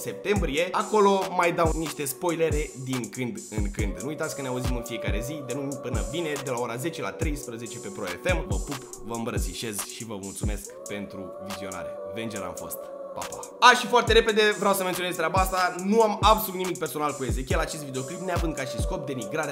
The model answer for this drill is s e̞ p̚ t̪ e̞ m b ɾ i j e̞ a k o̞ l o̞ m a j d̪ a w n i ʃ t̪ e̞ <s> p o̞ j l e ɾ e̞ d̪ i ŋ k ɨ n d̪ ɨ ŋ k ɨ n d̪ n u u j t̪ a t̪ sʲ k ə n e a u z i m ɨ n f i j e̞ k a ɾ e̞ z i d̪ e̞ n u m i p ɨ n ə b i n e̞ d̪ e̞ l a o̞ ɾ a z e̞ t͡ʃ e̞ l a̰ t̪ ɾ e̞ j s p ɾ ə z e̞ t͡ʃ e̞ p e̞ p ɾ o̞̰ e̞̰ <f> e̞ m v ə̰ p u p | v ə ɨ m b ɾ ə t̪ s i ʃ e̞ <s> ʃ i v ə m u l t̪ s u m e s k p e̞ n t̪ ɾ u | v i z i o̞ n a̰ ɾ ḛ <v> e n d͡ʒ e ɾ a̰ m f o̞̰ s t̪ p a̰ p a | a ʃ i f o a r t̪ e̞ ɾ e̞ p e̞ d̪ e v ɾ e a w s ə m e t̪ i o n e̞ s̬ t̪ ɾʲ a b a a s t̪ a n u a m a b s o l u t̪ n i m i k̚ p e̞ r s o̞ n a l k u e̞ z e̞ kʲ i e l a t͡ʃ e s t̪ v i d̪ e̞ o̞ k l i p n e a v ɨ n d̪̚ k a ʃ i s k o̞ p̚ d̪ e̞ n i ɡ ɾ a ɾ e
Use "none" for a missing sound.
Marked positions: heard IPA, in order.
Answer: s, f, z, v

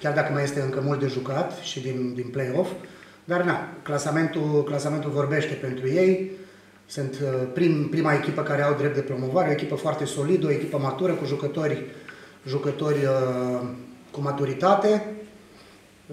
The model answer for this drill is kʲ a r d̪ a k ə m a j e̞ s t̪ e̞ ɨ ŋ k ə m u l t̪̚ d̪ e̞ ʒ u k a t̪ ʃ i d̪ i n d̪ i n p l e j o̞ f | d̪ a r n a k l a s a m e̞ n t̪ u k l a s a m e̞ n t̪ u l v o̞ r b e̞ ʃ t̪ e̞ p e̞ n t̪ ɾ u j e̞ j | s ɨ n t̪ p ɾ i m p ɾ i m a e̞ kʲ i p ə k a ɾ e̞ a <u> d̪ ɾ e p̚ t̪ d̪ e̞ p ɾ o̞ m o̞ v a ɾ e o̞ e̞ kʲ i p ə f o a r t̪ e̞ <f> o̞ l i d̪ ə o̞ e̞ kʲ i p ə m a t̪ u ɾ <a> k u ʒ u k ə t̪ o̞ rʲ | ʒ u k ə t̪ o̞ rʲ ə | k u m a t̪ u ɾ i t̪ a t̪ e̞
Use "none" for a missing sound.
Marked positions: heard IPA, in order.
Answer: w, s, ə

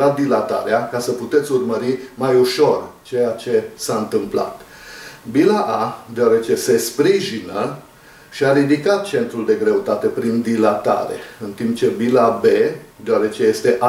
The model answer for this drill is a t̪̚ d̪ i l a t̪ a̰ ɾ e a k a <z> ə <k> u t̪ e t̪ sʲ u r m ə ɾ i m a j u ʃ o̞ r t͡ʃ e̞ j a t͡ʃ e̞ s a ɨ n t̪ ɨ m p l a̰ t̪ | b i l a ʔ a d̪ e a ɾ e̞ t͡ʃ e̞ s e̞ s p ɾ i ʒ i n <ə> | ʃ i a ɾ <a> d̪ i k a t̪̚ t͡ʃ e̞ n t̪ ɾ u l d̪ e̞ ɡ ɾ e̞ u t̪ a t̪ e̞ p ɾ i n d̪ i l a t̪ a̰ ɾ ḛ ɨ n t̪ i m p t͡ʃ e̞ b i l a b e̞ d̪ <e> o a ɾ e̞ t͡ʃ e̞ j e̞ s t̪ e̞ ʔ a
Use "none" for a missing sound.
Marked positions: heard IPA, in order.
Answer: s, p, ə, i, e

